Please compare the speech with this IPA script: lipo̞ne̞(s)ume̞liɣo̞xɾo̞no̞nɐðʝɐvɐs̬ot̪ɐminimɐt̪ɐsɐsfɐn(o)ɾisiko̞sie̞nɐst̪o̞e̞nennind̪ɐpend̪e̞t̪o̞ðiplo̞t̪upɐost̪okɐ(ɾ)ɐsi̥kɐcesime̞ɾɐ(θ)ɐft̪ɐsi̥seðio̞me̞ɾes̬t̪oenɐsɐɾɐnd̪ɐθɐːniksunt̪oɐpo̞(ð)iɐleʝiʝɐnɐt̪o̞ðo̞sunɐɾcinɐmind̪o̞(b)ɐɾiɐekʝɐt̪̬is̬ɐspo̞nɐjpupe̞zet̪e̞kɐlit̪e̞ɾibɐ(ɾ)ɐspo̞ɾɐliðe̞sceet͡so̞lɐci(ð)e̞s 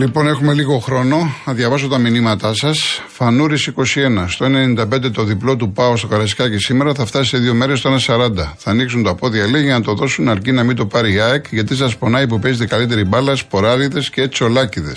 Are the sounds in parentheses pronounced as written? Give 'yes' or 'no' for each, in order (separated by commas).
no, no, yes, yes, yes, no, no, yes